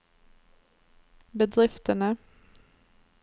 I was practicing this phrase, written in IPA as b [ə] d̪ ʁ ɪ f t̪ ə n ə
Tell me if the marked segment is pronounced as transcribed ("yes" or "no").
yes